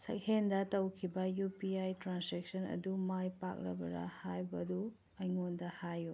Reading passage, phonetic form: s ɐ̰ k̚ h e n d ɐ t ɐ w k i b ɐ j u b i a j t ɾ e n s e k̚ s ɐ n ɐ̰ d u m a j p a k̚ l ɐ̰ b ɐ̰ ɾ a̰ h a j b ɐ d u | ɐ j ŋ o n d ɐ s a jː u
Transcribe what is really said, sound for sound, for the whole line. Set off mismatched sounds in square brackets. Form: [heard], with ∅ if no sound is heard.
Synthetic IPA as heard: s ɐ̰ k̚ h e n d ɐ t ɐ w [kʰ] i b ɐ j u [p] i a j t ɾ [a] n s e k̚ s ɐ n ɐ̰ d u m a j p a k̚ l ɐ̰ b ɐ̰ ɾ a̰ h a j b ɐ d u | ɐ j ŋ o n d ɐ [h] a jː u